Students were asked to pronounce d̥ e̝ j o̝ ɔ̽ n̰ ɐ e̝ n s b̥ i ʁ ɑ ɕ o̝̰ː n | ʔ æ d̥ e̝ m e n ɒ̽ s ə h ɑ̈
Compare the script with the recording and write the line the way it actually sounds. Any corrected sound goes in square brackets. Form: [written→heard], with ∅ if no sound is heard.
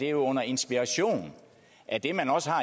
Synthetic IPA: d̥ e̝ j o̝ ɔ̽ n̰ ɐ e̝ n s b̥ i ʁ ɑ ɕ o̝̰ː n | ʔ æ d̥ e̝ m [e→æ] n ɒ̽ s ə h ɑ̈